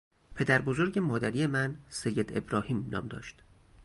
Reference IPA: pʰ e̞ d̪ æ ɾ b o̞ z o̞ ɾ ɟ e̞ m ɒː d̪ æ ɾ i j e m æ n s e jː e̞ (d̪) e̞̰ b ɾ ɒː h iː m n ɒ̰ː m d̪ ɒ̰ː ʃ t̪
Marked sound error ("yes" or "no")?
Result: no